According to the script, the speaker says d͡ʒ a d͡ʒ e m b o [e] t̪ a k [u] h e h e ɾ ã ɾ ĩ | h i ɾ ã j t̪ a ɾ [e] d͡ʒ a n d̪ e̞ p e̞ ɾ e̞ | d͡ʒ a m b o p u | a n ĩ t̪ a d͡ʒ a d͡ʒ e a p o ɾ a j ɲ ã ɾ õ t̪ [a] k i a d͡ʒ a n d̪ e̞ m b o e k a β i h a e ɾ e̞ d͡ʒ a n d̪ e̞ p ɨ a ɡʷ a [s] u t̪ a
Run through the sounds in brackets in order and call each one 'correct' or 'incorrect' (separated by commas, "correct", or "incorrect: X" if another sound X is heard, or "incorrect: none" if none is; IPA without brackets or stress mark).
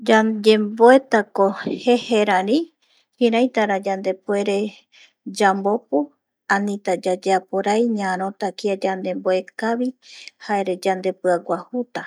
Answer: correct, incorrect: o, incorrect: a, correct, incorrect: h